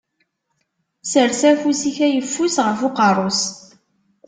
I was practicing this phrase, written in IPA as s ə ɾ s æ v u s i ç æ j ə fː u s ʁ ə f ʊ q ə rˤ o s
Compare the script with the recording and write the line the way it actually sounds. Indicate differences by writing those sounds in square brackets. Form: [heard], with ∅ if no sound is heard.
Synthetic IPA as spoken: s ə ɾ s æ [f] u s i ç æ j ə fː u s ʁ ə f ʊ q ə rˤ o s